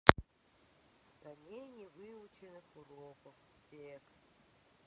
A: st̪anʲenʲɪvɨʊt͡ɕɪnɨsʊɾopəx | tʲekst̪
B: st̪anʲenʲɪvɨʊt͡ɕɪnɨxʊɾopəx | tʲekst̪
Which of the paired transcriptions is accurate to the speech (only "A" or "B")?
B